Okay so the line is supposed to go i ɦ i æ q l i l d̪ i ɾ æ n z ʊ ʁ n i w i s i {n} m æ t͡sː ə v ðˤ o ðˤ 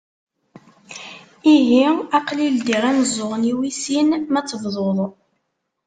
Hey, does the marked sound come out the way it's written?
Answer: yes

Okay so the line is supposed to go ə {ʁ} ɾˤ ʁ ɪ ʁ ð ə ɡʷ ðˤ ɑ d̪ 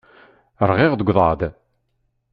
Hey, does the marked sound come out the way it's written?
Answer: no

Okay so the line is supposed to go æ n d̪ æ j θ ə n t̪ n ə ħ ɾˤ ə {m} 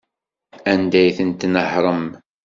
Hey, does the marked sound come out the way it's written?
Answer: yes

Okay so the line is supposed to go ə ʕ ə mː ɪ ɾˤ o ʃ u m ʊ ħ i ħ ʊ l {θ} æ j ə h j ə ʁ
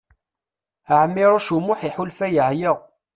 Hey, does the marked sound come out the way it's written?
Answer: no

